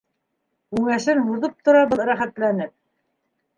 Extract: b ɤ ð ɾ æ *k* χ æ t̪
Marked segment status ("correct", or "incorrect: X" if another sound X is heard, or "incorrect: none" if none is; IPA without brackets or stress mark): incorrect: none